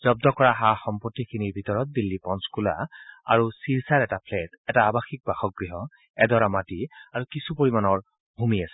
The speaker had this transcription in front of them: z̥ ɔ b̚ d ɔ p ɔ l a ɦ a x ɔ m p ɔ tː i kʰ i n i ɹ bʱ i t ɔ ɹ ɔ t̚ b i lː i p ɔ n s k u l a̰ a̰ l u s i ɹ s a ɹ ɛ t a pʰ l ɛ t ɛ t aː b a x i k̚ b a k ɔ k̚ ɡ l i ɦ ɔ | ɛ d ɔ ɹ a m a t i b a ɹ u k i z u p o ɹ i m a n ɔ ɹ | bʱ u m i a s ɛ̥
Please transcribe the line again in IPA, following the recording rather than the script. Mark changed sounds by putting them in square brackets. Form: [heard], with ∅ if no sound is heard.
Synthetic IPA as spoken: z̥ ɔ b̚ d ɔ [k] ɔ [ɹ] a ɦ a x ɔ m p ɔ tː i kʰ i n i ɹ bʱ i t ɔ ɹ ɔ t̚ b i lː i p ɔ n s k u l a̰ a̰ [ɹ] u s i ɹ s a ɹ ɛ t a pʰ l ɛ t ɛ t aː b a x i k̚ b a [x] ɔ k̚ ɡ [ɹ] i ɦ ɔ | ɛ d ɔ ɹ a m a t i [∅] a ɹ u k i [s] u p o ɹ i m a n ɔ ɹ | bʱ u m i a s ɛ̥